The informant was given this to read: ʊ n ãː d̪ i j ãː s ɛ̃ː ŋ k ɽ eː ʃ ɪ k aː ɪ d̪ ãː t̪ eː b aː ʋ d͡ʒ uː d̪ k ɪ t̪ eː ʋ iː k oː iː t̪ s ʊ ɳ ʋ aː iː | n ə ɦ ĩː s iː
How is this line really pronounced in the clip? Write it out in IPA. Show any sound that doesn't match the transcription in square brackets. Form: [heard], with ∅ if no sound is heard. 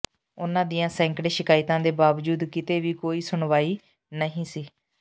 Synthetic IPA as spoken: ʊ n ãː d̪ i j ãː s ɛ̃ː ŋ k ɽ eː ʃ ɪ k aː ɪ [t̪] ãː [d̪] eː b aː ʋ d͡ʒ uː d̪ k ɪ t̪ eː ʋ iː k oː iː [∅] s ʊ ɳ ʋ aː iː | n ə ɦ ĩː s iː